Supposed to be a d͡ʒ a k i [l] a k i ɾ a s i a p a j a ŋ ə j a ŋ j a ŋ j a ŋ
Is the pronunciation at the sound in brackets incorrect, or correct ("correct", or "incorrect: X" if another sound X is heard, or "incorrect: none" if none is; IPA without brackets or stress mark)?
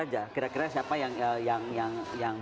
incorrect: ɾ